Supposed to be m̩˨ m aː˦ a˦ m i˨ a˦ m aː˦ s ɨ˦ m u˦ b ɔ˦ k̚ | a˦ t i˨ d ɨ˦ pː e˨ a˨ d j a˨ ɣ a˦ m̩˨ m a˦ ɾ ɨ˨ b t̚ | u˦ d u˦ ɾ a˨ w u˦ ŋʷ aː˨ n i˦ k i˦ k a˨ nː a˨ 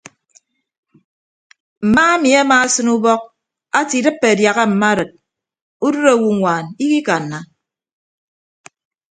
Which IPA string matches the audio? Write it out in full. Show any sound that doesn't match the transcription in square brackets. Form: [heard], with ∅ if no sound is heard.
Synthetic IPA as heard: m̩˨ m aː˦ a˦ m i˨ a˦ m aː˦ s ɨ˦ [n] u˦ b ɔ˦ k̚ | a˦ t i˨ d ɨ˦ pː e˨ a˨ d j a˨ ɣ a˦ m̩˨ m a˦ ɾ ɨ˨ [∅] t̚ | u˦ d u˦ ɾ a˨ w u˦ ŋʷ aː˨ n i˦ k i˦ k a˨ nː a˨